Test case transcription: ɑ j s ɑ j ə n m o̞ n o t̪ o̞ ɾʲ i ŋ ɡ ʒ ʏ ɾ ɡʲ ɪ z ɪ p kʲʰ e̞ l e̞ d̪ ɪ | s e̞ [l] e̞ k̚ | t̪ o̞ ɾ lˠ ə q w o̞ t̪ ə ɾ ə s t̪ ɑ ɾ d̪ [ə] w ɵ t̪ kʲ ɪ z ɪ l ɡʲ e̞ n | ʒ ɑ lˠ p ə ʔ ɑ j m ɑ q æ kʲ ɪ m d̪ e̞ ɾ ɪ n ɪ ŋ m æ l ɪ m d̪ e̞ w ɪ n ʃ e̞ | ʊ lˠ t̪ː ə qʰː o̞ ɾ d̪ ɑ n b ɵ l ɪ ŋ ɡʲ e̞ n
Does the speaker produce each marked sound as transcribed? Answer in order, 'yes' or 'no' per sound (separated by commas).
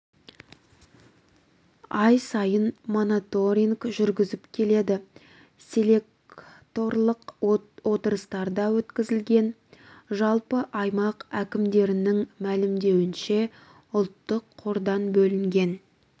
yes, no